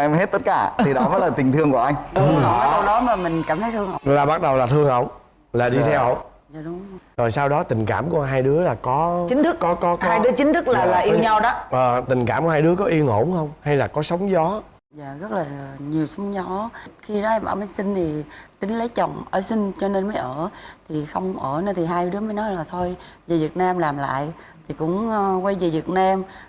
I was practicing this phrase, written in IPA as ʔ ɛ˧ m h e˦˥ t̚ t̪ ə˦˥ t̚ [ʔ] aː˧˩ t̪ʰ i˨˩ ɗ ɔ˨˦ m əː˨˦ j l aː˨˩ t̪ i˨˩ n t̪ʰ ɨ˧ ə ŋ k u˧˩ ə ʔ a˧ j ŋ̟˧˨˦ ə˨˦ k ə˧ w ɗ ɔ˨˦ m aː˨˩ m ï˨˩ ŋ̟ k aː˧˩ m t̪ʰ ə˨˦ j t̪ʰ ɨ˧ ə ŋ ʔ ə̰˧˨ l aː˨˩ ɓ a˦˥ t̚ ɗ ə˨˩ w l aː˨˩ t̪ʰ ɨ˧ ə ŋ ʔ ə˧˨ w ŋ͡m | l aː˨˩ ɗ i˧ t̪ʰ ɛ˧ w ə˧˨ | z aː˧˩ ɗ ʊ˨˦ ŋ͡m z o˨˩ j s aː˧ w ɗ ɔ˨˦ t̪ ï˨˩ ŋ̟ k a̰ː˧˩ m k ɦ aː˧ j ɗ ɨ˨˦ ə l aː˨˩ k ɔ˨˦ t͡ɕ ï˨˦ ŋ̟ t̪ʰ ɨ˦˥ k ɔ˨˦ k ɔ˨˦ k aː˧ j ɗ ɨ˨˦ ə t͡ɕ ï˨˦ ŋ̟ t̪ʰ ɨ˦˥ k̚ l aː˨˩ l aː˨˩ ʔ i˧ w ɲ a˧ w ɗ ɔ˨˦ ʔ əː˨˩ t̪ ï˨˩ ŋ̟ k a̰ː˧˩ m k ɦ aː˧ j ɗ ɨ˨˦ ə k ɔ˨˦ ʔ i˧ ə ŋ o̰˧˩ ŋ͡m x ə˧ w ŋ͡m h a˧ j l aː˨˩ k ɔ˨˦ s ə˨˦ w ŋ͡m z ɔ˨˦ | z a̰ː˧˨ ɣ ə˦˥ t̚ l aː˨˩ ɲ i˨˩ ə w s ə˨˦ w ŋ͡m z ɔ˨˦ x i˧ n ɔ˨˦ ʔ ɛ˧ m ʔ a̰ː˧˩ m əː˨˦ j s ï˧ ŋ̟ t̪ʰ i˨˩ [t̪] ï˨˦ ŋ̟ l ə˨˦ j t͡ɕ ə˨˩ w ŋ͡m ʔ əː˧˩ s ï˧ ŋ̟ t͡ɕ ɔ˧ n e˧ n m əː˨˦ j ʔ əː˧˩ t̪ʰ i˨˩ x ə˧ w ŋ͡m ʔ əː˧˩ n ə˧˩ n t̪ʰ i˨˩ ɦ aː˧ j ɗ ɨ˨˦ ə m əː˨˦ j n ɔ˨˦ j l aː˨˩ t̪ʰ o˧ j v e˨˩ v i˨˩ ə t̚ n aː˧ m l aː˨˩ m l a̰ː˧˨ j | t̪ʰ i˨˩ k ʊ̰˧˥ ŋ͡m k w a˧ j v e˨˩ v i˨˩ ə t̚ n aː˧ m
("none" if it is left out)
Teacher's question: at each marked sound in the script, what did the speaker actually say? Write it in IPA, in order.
k, t̪

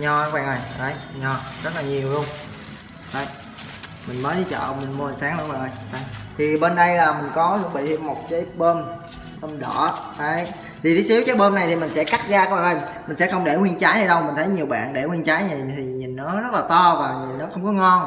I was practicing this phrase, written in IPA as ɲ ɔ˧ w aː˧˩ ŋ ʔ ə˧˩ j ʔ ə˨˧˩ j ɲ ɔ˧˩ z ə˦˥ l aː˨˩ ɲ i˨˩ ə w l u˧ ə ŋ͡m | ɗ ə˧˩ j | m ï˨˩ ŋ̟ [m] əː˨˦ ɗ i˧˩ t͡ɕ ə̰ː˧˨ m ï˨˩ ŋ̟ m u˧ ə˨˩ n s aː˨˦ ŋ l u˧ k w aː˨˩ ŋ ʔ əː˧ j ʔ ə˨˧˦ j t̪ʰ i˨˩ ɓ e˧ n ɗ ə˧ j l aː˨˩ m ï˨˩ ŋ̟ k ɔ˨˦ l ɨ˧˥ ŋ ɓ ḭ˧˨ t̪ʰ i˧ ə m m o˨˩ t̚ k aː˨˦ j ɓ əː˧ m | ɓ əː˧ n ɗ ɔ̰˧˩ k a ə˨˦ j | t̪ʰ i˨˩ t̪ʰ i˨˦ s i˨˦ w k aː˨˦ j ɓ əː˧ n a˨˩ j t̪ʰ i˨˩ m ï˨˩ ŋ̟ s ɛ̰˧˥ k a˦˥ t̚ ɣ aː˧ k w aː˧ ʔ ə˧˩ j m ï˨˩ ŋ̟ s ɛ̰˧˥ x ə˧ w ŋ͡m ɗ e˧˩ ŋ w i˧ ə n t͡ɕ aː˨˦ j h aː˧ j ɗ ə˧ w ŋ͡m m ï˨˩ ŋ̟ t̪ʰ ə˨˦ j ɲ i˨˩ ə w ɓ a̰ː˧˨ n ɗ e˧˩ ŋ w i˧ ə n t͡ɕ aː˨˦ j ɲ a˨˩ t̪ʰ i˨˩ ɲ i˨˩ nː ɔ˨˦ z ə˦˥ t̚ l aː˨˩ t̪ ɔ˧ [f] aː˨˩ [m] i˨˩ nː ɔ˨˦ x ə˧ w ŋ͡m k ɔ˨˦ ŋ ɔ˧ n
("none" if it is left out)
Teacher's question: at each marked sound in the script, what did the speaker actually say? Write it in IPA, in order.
m, v, ɲ

